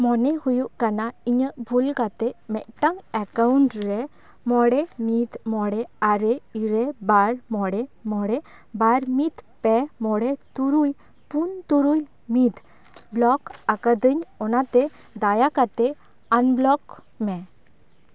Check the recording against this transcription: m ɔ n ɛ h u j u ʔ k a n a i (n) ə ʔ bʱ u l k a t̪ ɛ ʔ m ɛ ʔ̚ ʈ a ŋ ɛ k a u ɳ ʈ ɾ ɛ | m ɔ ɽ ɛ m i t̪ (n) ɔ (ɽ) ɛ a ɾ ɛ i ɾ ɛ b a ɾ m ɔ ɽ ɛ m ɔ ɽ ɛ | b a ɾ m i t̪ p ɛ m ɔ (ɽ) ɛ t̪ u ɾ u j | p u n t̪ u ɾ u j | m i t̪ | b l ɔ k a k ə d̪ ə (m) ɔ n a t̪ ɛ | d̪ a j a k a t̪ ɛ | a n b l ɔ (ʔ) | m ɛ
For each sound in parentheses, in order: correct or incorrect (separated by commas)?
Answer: incorrect, incorrect, correct, correct, incorrect, incorrect